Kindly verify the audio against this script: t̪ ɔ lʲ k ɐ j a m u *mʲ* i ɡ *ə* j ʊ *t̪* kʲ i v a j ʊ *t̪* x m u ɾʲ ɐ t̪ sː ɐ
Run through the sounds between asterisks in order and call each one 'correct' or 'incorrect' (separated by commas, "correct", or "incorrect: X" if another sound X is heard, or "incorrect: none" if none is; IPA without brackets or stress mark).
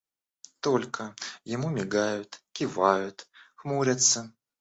correct, incorrect: a, correct, correct